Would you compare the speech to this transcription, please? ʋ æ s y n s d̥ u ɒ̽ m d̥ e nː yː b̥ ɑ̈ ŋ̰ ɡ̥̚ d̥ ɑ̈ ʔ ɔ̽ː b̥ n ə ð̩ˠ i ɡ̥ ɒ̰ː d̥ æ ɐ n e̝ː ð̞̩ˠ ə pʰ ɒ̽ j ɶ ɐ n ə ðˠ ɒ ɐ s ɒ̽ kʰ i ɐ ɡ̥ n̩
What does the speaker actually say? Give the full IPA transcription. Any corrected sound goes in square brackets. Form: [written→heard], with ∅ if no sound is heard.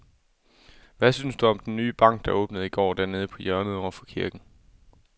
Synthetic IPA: ʋ æ s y n s d̥ u ɒ̽ m d̥ e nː yː b̥ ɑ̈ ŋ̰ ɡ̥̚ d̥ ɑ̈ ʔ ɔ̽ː b̥ n ə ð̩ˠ i ɡ̥ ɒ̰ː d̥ æ ɐ n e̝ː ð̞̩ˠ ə pʰ ɒ̽ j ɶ ɐ n ə ðˠ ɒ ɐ [s→f] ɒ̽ kʰ i ɐ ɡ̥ n̩